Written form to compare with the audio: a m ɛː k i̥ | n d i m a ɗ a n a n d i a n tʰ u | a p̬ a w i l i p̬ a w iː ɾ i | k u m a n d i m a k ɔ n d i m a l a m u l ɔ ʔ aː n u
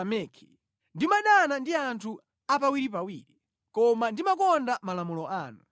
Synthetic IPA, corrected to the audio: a m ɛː kʰ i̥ | n d i m a ɗ a n a n d i a n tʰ u | a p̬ a w i ɾ i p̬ a w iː ɾ i | k ɔ m a n d i m a k ɔ n d a m a l a m u l ɔ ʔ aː n u